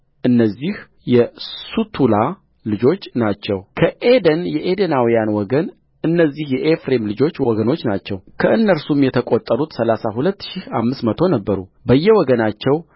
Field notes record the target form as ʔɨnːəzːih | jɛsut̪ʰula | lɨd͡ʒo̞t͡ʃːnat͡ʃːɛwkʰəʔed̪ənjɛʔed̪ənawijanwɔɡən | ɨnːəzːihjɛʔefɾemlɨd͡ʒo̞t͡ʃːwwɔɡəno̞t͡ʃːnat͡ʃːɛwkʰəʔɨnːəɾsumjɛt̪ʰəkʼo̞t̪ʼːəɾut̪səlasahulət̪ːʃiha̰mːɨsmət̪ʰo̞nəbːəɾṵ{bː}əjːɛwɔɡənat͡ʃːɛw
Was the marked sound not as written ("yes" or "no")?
yes